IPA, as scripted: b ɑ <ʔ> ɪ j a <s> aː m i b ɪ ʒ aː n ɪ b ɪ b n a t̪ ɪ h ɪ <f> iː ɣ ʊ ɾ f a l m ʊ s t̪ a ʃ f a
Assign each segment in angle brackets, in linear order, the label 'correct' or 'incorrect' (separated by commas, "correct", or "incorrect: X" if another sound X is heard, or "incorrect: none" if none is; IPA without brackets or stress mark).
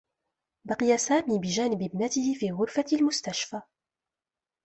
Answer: incorrect: q, correct, correct